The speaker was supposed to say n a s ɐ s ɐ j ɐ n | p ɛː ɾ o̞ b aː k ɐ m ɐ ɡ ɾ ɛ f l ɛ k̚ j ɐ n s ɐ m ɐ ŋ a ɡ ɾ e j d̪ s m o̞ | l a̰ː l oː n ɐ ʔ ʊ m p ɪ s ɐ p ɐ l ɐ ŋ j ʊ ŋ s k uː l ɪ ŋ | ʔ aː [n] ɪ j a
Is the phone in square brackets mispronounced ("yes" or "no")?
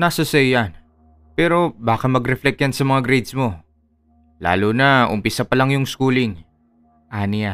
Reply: no